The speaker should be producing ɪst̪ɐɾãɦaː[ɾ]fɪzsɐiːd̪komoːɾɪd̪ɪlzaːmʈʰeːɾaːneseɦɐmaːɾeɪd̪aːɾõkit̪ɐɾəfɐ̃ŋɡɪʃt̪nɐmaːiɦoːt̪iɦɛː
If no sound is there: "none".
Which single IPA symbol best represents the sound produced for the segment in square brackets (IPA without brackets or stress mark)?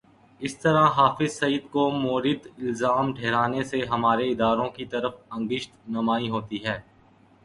none